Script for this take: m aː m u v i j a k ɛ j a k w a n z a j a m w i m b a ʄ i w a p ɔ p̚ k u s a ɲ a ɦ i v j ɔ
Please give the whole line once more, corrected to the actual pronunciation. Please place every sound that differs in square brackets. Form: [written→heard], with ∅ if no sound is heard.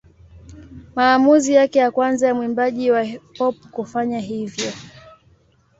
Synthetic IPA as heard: m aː m u [v→z] i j a k ɛ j a k w a n z a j a m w i m b a ʄ i w a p ɔ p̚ k u [s→f] a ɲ a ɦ i v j ɔ